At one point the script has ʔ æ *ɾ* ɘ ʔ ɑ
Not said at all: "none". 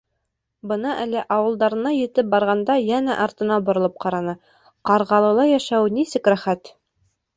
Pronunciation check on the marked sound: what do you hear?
l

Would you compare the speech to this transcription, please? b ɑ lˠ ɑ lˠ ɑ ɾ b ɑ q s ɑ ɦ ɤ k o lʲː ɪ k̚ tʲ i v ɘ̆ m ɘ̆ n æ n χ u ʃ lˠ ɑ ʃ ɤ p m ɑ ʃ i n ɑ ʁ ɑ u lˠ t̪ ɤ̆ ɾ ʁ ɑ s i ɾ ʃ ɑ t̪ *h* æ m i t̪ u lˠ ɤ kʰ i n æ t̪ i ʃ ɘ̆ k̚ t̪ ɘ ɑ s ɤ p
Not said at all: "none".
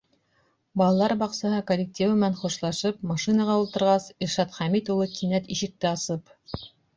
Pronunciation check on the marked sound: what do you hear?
χ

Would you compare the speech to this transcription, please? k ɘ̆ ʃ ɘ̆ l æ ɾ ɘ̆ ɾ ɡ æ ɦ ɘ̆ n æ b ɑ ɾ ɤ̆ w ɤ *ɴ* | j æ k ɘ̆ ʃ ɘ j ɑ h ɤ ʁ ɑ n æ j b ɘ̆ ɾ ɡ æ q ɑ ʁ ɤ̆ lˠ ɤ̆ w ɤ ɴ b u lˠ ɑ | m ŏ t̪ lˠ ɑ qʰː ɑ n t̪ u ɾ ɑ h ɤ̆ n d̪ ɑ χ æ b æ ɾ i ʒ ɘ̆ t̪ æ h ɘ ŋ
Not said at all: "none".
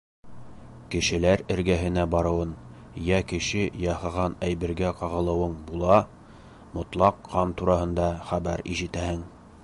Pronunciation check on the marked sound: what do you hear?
n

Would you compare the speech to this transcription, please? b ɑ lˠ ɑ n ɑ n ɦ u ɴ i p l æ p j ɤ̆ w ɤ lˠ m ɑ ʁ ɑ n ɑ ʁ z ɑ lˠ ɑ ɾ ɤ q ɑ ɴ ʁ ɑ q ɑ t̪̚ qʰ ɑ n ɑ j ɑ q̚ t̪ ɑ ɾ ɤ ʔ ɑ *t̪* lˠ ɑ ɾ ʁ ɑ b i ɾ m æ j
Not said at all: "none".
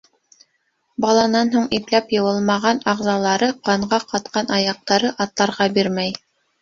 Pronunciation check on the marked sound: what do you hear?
t̪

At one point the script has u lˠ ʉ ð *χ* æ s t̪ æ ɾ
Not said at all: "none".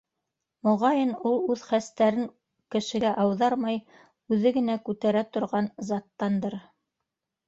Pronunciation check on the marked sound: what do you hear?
χ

